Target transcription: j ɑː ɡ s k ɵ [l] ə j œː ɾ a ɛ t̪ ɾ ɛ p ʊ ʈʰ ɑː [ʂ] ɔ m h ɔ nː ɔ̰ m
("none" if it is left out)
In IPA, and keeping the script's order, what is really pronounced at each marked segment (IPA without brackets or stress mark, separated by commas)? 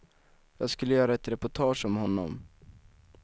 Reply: lː, ʂ